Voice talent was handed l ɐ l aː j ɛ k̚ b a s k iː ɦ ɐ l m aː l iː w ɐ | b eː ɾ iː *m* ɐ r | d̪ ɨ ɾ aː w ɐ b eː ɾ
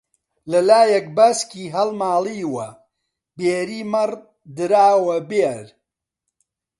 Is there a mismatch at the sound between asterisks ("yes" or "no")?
no